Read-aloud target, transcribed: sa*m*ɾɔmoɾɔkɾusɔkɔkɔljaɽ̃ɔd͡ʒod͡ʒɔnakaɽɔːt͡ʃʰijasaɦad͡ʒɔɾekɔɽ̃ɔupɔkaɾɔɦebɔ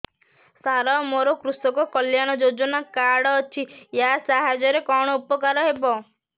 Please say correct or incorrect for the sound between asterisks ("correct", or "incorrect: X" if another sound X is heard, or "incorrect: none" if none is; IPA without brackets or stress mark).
incorrect: none